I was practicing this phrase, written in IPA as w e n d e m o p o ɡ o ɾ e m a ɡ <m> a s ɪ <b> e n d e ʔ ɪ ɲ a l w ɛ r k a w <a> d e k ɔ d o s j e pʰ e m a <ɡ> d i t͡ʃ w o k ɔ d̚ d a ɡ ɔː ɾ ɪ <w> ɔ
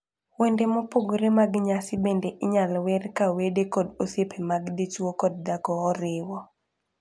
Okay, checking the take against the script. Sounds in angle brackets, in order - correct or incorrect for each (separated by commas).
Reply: incorrect, correct, incorrect, correct, correct